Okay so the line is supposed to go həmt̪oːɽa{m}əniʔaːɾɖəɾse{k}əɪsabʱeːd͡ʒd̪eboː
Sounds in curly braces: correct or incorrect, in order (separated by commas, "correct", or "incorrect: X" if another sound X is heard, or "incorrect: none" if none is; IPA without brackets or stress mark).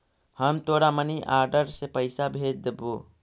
correct, incorrect: p